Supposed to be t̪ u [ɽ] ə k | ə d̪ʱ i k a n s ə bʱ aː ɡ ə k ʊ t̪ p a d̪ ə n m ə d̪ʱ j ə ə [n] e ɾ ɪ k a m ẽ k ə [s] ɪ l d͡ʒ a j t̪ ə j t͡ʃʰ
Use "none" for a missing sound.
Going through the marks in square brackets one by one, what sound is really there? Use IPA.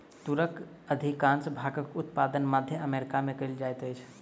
ɾ, m, none

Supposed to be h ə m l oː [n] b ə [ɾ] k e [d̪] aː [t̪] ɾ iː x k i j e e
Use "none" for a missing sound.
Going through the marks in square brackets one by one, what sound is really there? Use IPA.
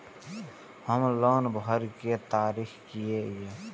n, ɾ, t̪, none

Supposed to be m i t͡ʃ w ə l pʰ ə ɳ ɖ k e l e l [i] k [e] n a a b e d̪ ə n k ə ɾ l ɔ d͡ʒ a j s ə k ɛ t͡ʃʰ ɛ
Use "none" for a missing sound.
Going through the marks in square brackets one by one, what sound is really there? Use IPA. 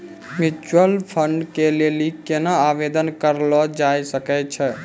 i, e

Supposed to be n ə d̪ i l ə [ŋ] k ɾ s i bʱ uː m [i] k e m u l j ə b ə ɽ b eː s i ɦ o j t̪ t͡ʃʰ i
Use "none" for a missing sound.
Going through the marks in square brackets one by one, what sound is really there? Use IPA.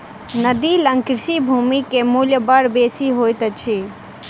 ŋ, i

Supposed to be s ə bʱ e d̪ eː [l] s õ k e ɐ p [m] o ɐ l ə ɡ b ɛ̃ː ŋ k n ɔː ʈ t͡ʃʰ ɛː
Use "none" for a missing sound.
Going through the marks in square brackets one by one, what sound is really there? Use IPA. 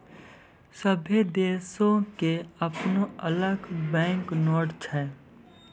none, n

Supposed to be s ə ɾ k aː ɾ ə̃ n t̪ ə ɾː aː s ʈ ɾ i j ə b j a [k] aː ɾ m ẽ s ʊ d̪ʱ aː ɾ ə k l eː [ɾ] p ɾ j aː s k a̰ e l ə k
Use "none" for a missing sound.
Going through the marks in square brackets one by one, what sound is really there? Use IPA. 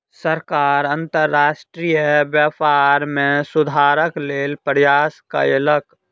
p, l

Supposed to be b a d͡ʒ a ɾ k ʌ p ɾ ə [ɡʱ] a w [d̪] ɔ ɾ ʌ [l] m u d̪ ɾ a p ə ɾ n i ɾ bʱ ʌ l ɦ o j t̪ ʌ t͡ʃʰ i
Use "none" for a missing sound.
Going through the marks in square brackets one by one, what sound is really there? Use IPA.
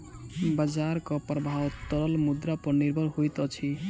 bʱ, t̪, l

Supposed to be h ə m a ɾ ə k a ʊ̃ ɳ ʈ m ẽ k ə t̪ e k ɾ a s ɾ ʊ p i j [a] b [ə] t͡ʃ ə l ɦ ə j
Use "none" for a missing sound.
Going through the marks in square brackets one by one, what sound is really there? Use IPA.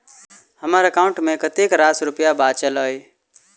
a, a

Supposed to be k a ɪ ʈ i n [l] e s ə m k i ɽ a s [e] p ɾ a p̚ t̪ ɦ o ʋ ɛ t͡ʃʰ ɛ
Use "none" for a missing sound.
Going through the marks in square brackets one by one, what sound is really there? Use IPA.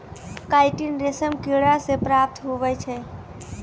ɾ, e

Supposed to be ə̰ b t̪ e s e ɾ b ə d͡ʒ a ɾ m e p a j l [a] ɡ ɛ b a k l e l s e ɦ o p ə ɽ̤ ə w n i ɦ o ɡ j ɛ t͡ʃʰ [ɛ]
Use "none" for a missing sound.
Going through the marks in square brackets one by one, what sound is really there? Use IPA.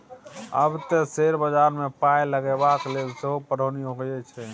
ə, ɛ

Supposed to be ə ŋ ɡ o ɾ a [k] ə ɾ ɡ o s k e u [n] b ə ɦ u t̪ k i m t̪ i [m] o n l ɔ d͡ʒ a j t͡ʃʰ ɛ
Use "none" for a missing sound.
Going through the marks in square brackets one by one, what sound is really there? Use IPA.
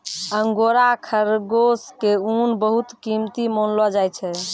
kʰ, n, m

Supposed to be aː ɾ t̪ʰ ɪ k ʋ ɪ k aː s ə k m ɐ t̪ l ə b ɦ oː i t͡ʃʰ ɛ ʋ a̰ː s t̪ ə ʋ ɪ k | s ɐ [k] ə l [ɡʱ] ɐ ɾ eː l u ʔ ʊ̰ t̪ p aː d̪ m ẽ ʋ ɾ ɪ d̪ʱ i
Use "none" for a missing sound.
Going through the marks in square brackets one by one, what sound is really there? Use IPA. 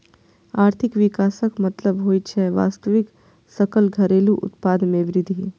k, ɡʱ

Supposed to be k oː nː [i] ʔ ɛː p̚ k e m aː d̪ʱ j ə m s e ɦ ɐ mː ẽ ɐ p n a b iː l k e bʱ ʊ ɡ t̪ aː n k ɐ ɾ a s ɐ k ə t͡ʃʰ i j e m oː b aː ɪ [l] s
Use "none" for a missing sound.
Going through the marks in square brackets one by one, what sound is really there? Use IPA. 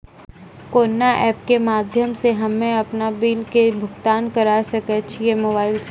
a, l

